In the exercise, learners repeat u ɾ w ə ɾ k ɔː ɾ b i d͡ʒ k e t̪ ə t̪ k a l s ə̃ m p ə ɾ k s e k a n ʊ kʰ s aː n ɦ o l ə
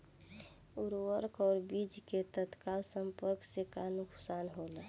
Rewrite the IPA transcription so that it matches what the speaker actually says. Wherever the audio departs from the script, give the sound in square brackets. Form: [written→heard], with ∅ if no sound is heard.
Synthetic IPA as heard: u ɾ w ə ɾ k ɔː ɾ b i d͡ʒ k e t̪ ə t̪ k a l s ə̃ m p ə ɾ k s e k a n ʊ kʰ s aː n ɦ o l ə